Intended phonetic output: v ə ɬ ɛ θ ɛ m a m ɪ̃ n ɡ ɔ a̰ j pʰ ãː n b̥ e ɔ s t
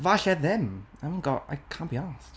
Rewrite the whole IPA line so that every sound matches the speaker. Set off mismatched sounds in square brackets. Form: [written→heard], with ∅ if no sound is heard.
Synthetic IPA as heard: v [ə→a] ɬ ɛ [θ→ð] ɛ m a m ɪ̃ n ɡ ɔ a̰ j [pʰ→kʰ] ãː n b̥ [e→i] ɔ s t